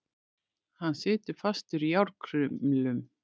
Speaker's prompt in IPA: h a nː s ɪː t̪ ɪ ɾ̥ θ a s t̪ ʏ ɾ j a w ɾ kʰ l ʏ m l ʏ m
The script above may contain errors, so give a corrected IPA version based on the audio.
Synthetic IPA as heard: h a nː s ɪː t̪ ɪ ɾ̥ f a s t̪ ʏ ɾ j a w ɾ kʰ ɾ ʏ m l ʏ m